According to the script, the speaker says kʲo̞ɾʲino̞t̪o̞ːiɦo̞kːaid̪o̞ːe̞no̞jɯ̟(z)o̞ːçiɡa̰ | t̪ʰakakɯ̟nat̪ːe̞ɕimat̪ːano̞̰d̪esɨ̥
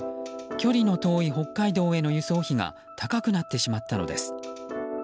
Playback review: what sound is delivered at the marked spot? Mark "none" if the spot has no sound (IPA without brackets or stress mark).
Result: s